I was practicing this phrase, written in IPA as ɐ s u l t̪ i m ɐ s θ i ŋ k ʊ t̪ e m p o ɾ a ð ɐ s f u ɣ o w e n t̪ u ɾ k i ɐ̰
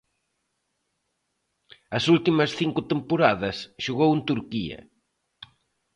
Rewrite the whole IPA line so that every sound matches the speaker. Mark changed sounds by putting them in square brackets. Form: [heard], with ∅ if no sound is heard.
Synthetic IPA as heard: ɐ s u l t̪ i m ɐ s θ i ŋ k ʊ t̪ e m p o ɾ a ð ɐ s [ʃ] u ɣ o w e n t̪ u ɾ k i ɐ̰